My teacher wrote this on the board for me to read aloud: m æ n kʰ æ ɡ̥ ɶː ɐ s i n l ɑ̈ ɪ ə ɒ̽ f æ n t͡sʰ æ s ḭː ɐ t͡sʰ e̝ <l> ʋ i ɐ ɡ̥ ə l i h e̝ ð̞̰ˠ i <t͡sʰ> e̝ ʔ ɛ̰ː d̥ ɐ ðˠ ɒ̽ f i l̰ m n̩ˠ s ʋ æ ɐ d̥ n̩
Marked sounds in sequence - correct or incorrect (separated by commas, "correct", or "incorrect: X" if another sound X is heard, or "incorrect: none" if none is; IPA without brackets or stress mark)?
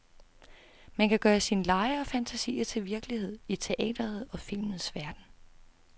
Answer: correct, correct